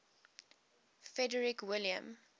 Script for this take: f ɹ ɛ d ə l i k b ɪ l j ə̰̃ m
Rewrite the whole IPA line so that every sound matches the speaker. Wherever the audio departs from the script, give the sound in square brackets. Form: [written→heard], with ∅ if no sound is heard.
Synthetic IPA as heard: f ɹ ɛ d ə [l→ɹ] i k [b→w] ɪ l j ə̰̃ m